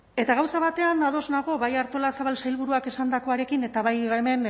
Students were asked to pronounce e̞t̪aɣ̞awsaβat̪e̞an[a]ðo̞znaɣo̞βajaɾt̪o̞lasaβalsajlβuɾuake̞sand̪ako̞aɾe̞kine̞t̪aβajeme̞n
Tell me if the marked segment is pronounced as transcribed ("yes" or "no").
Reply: yes